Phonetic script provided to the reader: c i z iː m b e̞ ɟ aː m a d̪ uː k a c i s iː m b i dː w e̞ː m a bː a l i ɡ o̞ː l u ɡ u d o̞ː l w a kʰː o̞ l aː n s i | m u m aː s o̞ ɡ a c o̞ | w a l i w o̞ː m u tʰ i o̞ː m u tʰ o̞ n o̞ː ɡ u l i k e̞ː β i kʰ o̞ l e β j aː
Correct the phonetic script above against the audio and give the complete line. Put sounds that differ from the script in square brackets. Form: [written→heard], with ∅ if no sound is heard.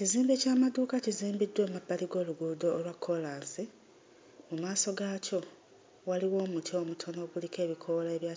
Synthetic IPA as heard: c i z iː m b e̞ [ɟ→c] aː m a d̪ uː k a c i [s→z] iː m b i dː w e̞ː m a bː a l i ɡ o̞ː l u ɡ u d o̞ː l w a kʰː o̞ l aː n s i | m u m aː s o̞ ɡ a c o̞ | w a l i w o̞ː m u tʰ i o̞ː m u tʰ o̞ n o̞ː ɡ u l i k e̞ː β i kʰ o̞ l e β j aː